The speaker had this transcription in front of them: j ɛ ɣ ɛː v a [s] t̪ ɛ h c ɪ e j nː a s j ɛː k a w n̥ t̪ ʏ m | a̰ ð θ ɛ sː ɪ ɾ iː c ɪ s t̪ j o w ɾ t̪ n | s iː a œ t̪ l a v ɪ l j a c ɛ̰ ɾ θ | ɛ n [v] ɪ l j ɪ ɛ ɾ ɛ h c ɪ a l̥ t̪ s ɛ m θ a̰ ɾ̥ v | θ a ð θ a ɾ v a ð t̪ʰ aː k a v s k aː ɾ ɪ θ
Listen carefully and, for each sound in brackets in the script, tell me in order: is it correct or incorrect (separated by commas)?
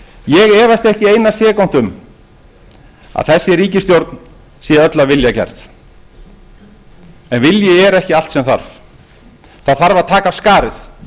correct, correct